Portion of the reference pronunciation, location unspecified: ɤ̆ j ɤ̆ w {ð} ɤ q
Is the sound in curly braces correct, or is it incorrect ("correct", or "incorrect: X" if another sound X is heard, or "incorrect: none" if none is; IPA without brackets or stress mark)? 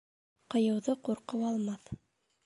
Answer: correct